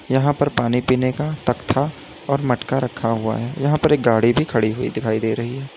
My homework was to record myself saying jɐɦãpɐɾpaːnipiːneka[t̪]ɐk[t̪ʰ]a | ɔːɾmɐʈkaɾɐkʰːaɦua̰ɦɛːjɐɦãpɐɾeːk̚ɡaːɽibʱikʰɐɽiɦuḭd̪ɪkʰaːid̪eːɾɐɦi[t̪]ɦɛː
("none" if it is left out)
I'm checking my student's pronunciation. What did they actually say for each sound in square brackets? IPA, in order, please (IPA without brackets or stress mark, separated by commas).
t̪, t̪ʰ, none